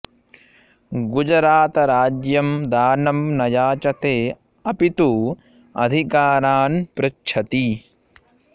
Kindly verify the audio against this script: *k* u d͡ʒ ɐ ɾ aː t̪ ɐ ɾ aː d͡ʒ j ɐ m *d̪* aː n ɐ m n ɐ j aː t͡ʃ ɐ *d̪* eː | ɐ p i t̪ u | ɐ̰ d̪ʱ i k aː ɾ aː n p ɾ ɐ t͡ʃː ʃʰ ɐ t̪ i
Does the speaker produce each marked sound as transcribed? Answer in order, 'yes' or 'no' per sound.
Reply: no, yes, no

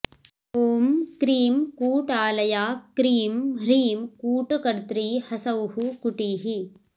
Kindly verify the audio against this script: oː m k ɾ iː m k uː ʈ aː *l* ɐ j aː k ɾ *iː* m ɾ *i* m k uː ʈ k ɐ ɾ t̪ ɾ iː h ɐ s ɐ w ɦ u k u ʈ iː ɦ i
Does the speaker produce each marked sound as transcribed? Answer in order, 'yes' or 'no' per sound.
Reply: yes, yes, no

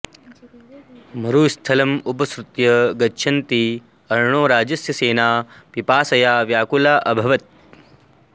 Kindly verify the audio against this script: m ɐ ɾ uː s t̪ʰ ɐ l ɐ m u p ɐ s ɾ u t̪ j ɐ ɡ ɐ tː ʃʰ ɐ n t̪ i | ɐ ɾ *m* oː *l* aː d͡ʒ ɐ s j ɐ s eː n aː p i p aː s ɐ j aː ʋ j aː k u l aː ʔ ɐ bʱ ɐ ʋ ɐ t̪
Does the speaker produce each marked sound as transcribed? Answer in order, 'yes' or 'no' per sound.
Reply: no, no

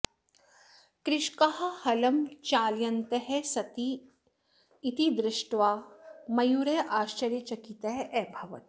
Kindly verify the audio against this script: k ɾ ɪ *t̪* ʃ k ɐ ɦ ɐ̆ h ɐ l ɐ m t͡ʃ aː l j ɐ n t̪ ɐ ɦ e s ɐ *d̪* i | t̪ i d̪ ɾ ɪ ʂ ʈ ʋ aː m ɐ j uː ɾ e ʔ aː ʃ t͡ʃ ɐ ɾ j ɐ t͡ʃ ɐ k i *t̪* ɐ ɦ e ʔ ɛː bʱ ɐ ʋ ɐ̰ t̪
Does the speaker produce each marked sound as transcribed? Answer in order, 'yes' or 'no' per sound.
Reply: no, no, yes

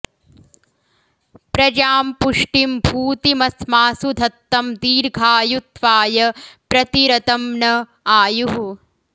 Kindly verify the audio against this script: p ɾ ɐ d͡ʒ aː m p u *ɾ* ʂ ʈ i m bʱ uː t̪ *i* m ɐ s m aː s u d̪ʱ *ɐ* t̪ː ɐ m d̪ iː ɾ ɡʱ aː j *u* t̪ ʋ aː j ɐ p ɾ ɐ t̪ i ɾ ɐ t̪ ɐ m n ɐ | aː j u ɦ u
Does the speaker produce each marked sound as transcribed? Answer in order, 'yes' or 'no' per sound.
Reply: no, yes, yes, yes

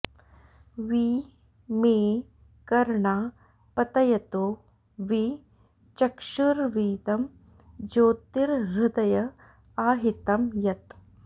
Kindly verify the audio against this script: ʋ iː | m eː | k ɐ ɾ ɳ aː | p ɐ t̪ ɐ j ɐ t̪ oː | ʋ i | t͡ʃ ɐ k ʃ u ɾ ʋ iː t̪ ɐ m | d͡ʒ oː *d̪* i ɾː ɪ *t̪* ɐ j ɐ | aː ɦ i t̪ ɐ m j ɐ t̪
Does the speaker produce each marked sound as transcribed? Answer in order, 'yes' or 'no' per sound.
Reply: no, no

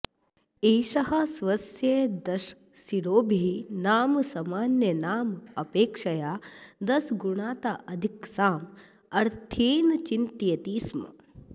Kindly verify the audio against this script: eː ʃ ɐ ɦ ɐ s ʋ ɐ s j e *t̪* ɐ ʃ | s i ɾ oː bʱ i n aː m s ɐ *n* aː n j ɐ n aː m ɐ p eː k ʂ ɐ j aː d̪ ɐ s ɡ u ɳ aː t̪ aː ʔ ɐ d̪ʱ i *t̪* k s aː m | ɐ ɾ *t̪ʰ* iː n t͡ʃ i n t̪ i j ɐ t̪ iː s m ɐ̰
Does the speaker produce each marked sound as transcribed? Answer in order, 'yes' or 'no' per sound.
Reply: no, no, no, yes

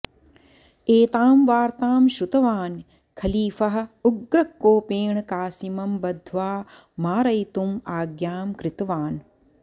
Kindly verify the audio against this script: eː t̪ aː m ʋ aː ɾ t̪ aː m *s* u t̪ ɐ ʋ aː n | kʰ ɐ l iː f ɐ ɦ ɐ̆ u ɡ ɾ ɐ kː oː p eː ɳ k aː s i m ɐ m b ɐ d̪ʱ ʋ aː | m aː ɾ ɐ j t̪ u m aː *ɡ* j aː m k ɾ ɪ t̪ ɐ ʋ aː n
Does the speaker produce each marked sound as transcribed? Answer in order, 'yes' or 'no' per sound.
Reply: no, yes

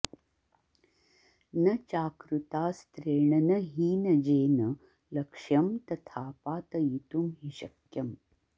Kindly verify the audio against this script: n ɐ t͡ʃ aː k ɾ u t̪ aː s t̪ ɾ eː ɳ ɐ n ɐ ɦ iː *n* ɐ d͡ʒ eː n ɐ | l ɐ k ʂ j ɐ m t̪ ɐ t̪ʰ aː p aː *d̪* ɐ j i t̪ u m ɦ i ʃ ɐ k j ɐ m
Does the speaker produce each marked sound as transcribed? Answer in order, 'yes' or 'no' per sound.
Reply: yes, no

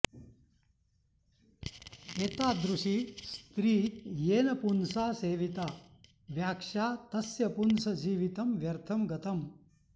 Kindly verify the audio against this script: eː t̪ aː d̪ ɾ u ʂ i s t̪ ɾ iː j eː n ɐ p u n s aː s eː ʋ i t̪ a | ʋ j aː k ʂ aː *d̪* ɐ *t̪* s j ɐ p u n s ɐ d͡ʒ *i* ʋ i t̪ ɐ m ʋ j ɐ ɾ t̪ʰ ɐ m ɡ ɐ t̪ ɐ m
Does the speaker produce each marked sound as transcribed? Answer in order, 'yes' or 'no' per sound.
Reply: no, no, no

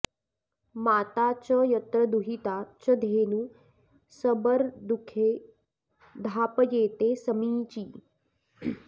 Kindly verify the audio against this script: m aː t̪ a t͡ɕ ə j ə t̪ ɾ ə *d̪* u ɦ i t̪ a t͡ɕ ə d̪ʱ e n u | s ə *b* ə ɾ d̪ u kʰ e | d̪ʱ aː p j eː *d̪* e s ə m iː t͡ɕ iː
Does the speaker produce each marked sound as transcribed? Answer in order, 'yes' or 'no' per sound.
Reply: yes, yes, no

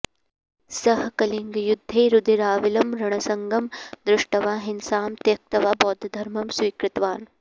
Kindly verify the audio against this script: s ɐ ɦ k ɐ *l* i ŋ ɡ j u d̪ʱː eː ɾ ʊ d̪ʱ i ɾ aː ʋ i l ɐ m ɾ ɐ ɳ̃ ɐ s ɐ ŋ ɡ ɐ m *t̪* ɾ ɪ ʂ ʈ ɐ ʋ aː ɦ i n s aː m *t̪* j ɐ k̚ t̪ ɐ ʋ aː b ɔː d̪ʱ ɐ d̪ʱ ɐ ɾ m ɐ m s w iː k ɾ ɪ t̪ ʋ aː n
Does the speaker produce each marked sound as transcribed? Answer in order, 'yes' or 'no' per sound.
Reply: yes, no, yes

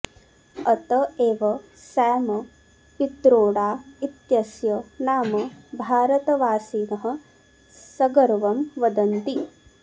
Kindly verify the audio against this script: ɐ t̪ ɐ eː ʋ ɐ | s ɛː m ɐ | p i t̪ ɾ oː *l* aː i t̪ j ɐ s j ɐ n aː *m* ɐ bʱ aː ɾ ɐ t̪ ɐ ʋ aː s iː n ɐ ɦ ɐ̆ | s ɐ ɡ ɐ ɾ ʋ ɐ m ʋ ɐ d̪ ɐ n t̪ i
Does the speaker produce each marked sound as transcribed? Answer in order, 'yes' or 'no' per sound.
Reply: no, yes

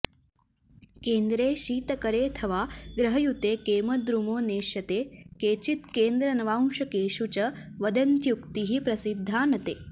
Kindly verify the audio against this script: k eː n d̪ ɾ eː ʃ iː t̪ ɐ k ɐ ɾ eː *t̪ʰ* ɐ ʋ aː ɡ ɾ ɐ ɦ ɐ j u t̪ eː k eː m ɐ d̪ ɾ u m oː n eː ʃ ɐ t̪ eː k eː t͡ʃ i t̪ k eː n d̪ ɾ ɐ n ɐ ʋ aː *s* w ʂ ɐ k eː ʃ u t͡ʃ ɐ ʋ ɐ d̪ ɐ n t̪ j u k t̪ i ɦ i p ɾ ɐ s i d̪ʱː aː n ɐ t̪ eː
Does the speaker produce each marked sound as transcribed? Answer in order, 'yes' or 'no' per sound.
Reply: yes, no

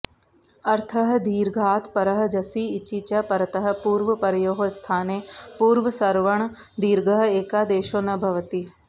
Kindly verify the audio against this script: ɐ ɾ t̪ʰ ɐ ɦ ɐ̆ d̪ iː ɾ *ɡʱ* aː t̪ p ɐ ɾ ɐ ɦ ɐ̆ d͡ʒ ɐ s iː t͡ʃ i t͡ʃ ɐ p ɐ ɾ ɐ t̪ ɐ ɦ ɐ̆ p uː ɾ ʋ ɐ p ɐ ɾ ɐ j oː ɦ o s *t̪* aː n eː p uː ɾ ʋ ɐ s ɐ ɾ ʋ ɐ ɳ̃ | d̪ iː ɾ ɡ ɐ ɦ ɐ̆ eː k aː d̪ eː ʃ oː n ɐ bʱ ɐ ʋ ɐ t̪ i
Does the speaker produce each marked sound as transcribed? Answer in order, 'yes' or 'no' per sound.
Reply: yes, no

